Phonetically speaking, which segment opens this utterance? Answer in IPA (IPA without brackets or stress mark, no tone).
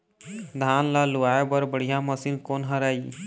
d̪ʱ